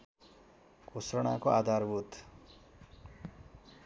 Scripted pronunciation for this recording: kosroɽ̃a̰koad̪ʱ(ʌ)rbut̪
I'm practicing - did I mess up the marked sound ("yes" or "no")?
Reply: yes